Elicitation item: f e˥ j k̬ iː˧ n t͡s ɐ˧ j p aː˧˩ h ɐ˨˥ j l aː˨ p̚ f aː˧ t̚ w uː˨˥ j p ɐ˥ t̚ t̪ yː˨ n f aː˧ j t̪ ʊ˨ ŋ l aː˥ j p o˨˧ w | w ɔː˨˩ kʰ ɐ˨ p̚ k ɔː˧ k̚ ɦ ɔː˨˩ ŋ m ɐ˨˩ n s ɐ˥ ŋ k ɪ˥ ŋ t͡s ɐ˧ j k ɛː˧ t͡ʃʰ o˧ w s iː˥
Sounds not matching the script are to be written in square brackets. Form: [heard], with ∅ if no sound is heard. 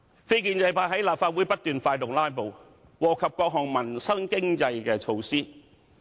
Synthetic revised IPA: f e˥ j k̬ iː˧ n t͡s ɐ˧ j p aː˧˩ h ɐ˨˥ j l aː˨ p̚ f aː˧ t̚ w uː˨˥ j p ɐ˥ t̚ t̪ yː˨ n f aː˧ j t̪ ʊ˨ ŋ l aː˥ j p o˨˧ w | w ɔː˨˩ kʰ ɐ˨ p̚ k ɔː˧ k̚ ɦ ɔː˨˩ ŋ m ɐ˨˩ n s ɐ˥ ŋ k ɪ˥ ŋ t͡s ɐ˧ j k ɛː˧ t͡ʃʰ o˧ w s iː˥